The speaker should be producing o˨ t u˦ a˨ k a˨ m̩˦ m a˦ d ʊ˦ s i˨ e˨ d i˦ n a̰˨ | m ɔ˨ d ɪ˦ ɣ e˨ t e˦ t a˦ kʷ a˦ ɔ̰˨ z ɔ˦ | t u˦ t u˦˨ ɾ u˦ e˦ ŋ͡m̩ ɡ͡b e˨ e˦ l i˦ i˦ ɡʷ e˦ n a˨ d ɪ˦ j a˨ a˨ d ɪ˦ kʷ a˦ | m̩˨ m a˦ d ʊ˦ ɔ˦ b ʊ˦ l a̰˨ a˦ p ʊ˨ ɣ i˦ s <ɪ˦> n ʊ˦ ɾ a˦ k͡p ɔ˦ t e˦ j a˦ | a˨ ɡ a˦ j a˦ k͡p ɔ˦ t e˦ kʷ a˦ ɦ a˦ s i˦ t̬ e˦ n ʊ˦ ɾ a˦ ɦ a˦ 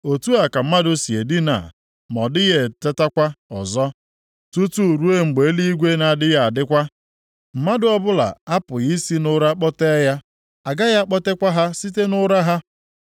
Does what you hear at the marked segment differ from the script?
yes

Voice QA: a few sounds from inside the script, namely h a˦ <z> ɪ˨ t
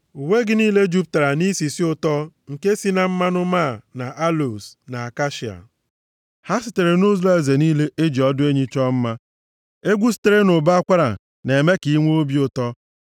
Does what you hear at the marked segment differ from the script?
yes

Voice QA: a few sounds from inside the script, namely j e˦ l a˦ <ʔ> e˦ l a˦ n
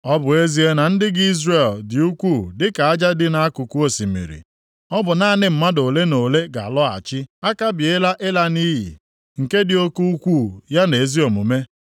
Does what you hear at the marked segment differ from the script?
no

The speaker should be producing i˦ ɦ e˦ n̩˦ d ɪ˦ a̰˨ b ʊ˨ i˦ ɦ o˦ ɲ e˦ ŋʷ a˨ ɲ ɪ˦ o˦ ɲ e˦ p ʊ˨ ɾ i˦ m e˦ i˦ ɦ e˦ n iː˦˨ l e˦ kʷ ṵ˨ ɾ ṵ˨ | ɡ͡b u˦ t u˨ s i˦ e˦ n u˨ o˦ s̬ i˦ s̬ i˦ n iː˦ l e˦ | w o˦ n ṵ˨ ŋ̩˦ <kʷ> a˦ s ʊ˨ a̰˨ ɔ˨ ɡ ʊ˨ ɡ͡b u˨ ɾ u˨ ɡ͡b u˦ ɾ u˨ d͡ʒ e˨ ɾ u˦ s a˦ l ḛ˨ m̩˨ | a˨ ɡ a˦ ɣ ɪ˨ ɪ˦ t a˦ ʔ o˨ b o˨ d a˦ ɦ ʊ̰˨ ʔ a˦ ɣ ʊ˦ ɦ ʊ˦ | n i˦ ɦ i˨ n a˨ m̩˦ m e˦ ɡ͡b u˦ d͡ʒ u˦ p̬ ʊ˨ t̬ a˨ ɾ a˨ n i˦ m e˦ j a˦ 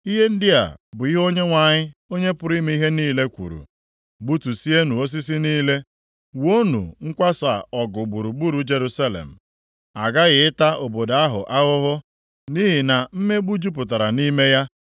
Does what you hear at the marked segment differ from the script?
no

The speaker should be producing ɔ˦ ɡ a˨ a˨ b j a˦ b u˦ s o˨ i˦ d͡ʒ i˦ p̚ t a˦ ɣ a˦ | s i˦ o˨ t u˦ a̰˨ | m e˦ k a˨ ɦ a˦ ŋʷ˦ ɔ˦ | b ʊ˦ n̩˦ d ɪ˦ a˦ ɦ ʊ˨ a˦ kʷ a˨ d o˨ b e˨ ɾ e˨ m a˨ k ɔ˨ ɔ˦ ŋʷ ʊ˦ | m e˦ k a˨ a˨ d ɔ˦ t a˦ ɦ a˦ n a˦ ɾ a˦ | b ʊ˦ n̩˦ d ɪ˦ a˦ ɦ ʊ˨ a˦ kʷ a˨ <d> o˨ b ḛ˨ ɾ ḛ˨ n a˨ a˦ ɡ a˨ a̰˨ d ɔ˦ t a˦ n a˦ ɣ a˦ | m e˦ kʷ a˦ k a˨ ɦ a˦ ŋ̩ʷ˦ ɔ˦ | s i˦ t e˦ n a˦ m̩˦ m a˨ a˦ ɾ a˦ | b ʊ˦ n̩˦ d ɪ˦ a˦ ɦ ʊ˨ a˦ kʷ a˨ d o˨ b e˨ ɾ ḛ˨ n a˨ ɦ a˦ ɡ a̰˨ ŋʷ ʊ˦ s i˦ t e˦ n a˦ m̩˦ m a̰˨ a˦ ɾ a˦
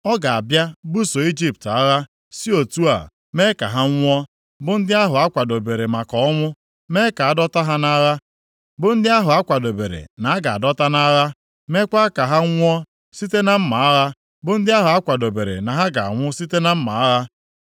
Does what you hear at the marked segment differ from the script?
no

